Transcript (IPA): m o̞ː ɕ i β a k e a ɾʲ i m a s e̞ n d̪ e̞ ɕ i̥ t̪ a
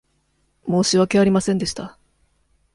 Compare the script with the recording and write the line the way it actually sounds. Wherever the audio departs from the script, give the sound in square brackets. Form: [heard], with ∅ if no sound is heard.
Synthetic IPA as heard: m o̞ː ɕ i β a k e a ɾʲ i m a s [ẽ̞] n d̪ e̞ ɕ i̥ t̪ a